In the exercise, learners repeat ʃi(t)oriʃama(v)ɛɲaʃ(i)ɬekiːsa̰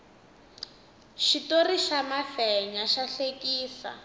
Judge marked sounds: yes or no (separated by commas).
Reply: yes, no, no